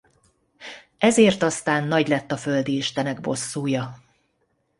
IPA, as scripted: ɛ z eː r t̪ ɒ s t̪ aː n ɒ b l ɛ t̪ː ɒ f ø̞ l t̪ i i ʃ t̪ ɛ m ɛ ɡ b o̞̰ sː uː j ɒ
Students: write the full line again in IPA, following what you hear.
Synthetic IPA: ɛ z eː r t̪ ɒ s t̪ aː nː ɒ ɟ l ɛ t̪ː ɒ f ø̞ l d̪ i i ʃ t̪ ɛ n ɛ ɡ b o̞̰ sː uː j ɒ